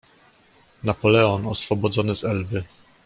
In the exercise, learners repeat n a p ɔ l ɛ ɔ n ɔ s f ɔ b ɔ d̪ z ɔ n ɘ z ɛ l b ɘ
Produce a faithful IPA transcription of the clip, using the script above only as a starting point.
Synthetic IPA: n a p ɔ l ɛ ɔ n ɔ s f ɔ b ɔ d̪ z ɔ n ɘ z ɛ l b ɘ